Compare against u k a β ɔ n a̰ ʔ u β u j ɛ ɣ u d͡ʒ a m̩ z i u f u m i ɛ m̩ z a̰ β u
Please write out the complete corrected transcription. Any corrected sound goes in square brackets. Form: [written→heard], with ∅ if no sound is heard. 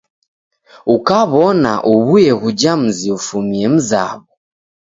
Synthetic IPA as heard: u k a β ɔ n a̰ ʔ u β u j ɛ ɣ u d͡ʒ a m̩ z i u f u m i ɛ m̩ z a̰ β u